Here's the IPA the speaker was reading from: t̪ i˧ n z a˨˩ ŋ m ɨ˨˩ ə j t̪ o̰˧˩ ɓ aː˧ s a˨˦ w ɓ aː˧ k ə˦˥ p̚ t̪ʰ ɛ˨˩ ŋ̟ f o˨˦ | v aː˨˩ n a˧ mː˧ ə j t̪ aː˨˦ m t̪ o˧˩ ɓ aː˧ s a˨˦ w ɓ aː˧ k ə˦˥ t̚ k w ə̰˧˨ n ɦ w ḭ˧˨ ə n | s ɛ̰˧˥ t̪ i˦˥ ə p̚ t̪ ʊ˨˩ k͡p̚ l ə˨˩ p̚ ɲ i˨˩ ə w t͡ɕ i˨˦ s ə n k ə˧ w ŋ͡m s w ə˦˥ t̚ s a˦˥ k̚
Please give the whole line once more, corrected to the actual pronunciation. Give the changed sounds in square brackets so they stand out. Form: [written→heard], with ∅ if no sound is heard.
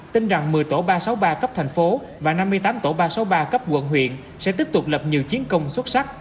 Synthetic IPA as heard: t̪ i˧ n z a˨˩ ŋ m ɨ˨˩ ə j t̪ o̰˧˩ ɓ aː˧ s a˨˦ w ɓ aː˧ k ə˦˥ p̚ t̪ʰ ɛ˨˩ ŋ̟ f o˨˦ | v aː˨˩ n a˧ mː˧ ə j t̪ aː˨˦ m t̪ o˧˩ ɓ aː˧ s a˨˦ w ɓ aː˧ k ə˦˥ [t̚→p̚] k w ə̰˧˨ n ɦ w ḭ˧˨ ə n | s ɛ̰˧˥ t̪ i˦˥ ə p̚ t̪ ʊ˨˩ k͡p̚ l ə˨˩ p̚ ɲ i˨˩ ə w t͡ɕ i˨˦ [s→∅] ə n k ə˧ w ŋ͡m s w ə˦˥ t̚ s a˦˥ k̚